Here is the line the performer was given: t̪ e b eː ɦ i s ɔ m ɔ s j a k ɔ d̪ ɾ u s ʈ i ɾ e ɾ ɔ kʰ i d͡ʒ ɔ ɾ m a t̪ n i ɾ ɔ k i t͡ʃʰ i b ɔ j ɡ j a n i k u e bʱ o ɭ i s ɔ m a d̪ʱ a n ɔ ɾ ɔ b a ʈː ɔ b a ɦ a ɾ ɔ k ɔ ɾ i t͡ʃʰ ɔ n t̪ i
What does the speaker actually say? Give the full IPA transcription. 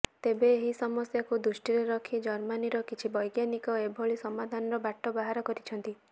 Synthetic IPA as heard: t̪ e b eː ɦ i s ɔ m ɔ s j a k u d̪ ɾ u s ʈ i ɾ e ɾ ɔ kʰ i d͡ʒ ɔ ɾ m a n i ɾ ɔ k i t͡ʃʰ i b ɔ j ɡ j a n i k ɔ e bʱ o ɭ i s ɔ m a d̪ʱ a n ɔ ɾ ɔ b a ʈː ɔ b a ɦ a ɾ ɔ k ɔ ɾ i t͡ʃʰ ɔ n t̪ i